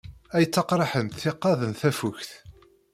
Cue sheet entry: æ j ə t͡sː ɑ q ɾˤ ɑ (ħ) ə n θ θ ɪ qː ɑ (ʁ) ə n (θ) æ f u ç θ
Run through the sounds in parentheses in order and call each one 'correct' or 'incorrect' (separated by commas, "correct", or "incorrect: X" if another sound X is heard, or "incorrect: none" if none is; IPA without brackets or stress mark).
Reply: correct, incorrect: ð, correct